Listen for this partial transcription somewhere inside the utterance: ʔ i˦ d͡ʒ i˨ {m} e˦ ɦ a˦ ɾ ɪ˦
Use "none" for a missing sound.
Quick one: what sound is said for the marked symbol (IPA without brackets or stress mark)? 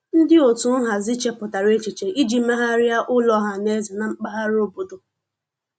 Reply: m